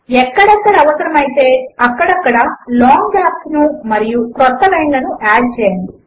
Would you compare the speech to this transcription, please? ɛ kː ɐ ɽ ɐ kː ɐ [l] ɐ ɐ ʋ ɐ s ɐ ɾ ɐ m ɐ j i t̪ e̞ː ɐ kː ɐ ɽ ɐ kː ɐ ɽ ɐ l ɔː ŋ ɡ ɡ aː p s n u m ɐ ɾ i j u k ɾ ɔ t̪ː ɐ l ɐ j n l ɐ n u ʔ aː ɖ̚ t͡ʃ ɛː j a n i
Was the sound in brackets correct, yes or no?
no